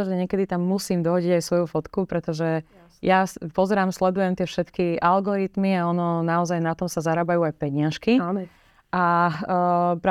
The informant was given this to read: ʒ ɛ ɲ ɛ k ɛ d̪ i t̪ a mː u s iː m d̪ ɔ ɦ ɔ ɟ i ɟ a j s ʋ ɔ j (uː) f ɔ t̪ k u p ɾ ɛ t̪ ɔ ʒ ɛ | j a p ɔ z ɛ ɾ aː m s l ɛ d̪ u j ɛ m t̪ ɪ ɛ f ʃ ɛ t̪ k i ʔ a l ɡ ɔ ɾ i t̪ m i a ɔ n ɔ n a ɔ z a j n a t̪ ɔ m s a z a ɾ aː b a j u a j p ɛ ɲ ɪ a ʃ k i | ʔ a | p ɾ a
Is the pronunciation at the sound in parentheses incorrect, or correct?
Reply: incorrect